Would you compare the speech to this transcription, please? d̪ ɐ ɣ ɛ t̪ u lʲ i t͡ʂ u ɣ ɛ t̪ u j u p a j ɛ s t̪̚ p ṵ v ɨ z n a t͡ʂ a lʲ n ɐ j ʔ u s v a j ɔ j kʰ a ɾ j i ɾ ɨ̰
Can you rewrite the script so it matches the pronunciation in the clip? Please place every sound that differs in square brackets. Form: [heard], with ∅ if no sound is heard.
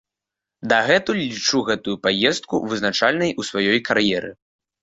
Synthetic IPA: d̪ ɐ ɣ ɛ t̪ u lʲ i t͡ʂ u ɣ ɛ t̪ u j u p a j ɛ s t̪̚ [k] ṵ v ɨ z n a t͡ʂ a lʲ n ɐ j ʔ u s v a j ɔ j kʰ a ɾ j [ɛ] ɾ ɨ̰